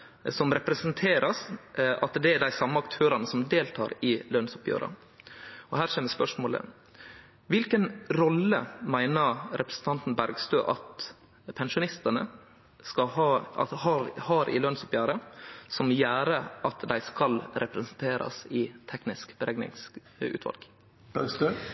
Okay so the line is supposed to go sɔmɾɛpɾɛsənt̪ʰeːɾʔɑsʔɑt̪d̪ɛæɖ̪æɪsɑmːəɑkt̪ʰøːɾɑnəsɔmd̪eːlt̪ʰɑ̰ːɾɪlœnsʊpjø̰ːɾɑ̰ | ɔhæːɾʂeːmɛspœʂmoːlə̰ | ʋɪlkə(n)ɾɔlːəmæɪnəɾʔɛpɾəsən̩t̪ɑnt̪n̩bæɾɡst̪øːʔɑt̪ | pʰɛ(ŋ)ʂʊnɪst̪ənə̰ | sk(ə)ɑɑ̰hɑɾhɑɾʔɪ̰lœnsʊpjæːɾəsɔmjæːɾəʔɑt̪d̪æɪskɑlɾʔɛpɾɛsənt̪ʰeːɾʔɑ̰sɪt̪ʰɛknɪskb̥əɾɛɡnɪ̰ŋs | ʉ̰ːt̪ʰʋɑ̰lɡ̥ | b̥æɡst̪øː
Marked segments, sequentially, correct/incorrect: correct, incorrect, incorrect

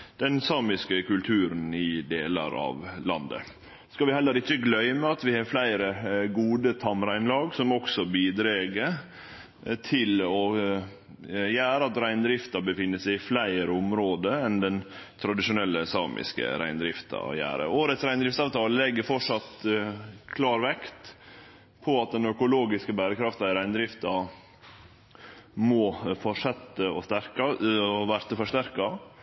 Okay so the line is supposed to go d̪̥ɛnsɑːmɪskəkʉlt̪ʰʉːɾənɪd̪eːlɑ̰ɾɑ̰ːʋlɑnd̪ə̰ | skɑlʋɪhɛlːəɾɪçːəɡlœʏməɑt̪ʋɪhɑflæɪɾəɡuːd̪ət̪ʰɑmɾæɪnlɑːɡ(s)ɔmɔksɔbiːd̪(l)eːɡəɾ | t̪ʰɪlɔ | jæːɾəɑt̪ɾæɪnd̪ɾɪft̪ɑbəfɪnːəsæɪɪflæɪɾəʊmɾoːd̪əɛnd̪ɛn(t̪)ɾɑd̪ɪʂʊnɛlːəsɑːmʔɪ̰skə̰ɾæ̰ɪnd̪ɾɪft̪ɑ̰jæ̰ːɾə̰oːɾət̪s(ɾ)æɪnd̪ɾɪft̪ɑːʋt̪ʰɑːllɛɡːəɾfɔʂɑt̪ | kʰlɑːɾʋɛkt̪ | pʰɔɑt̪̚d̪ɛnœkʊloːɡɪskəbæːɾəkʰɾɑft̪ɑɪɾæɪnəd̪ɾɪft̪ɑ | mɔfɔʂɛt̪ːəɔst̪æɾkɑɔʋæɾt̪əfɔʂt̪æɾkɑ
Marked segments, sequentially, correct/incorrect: correct, incorrect, incorrect, correct

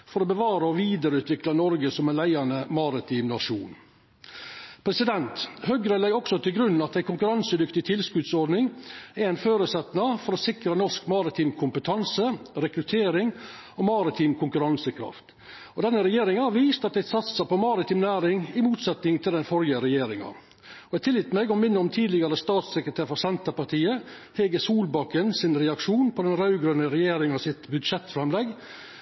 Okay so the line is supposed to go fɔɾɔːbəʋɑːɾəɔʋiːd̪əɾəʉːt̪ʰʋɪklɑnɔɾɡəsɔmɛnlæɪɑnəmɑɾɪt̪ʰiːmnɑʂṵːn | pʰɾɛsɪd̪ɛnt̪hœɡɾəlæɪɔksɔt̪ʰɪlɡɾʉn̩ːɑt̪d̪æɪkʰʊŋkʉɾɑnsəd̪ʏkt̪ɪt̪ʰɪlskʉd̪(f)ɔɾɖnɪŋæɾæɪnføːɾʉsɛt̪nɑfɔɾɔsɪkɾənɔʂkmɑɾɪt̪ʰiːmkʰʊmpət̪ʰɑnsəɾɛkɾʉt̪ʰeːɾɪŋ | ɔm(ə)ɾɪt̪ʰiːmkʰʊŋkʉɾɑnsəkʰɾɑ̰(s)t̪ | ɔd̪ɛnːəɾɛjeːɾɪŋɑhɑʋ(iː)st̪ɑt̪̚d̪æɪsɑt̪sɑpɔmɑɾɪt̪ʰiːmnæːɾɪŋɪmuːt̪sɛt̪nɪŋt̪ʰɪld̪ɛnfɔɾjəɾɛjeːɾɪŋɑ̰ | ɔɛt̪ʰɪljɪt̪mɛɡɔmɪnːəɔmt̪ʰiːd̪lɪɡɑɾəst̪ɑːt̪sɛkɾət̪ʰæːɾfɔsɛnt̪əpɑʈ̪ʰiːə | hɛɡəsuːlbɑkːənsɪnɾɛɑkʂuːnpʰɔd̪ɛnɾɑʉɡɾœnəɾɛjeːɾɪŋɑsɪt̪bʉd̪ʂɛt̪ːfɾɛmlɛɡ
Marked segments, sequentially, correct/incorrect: incorrect, incorrect, incorrect, correct

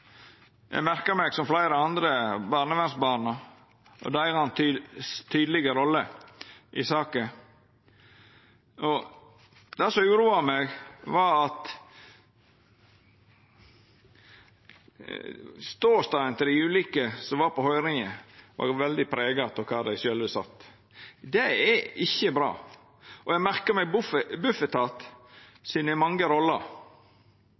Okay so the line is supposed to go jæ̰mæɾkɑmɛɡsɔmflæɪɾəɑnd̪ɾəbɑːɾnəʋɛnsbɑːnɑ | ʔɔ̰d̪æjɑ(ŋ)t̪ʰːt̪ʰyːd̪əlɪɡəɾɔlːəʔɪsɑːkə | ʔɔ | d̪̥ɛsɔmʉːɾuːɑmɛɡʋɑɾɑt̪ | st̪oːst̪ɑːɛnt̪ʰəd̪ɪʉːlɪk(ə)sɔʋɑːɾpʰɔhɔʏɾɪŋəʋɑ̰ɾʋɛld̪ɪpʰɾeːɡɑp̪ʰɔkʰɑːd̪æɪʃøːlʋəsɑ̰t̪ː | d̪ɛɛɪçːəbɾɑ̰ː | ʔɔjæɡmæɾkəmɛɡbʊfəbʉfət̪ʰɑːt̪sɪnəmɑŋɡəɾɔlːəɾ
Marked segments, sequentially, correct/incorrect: incorrect, correct

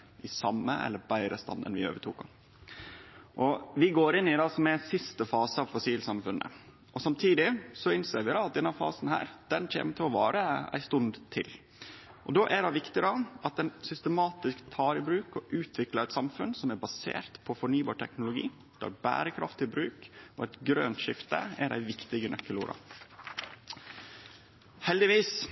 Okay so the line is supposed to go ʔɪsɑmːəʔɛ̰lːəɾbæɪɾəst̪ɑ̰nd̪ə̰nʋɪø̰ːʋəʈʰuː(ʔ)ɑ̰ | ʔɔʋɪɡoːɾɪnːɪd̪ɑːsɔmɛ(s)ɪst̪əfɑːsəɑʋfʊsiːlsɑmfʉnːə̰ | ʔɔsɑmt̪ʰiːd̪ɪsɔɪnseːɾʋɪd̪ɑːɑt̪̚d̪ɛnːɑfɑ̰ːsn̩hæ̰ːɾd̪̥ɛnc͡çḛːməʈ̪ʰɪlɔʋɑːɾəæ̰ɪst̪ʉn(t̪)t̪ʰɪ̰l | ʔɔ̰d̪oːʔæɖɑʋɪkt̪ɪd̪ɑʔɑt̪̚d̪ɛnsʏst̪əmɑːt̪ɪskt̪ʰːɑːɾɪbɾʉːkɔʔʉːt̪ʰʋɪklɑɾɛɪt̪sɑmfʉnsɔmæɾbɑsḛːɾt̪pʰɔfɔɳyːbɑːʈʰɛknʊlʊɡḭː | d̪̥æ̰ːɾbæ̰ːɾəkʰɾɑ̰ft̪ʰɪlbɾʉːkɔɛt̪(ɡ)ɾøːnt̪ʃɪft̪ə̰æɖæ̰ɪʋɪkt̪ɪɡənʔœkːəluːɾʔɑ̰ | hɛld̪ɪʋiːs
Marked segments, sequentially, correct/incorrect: incorrect, correct, incorrect, correct

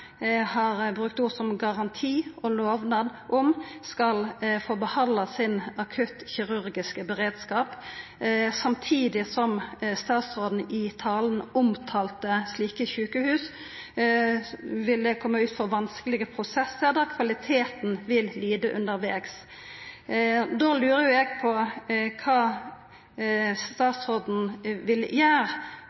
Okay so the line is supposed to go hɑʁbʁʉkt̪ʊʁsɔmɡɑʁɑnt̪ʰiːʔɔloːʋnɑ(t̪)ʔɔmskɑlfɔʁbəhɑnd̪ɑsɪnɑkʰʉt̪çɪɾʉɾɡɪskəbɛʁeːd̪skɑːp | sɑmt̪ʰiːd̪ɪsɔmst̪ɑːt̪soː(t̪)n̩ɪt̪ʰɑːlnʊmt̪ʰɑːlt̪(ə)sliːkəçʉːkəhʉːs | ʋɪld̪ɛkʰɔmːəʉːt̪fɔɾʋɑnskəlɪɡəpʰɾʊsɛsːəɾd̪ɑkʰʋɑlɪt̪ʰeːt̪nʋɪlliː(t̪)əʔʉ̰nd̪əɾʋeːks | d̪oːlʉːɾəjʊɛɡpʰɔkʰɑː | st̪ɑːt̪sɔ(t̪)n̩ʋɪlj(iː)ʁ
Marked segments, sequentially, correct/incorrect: incorrect, incorrect, correct, incorrect, incorrect, incorrect

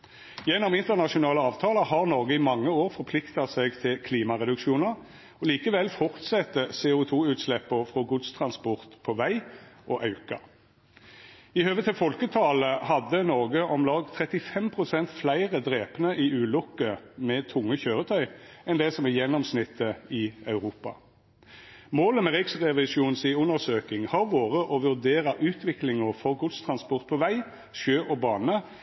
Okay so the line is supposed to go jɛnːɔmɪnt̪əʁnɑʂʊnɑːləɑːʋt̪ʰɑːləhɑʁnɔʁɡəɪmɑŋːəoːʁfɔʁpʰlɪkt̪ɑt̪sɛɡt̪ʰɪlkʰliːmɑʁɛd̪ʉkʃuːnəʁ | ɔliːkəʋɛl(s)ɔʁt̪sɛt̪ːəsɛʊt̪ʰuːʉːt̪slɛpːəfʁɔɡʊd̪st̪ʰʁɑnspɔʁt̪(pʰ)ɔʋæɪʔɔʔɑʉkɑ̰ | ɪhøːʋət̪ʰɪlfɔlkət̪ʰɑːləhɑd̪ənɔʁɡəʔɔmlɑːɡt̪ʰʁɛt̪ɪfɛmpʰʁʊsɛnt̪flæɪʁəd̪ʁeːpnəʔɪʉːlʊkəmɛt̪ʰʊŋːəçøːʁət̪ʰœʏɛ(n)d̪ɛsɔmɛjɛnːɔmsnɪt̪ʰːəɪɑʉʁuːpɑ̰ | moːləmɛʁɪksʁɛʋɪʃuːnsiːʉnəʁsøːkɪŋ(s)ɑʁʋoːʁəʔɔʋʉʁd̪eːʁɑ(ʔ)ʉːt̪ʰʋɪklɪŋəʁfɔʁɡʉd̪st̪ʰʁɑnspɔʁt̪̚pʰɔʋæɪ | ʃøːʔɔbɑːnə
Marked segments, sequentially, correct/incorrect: incorrect, correct, correct, incorrect, correct

